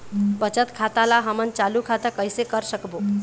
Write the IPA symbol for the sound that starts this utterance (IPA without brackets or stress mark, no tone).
b